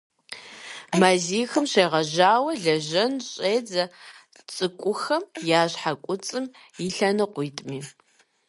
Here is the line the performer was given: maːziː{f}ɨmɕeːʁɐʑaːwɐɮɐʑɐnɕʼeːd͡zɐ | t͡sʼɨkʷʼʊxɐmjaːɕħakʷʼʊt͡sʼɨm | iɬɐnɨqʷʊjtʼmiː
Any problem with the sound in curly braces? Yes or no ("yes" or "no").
yes